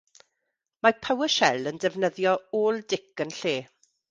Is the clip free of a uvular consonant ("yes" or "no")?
yes